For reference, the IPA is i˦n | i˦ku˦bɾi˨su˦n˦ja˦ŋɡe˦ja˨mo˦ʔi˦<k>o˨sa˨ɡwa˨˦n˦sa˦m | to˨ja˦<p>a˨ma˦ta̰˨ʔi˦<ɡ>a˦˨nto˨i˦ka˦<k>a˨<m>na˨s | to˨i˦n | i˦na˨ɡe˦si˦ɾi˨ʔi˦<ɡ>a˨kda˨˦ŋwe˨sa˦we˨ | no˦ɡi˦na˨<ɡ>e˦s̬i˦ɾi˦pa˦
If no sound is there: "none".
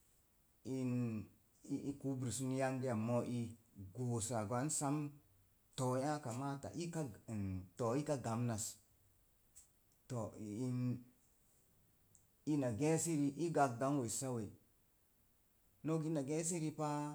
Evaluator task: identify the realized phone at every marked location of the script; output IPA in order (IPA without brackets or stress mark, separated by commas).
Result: ɡ, k, k, ɡ, m, ɡ, ɡ